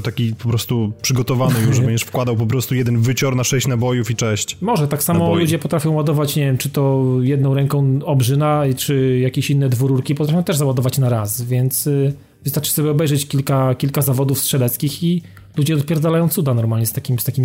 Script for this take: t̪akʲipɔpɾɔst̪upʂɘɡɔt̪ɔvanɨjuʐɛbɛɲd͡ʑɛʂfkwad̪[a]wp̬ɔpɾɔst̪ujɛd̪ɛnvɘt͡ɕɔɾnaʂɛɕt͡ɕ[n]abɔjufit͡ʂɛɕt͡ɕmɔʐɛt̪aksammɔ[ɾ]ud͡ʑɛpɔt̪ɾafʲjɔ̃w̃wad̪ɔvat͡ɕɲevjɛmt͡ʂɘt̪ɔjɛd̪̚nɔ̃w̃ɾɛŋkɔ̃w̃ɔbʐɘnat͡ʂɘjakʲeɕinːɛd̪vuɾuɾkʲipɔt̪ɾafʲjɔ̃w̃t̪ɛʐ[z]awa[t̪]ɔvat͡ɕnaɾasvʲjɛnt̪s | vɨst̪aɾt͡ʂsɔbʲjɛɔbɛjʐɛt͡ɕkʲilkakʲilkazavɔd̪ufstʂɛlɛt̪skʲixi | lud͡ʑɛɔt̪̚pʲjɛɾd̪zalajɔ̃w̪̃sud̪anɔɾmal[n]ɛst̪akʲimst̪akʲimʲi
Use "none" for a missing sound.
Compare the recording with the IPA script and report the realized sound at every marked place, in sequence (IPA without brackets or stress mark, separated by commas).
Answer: a, n, l, z, d̪, ɲ